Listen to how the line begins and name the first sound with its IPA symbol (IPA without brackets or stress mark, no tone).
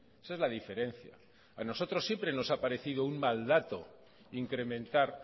e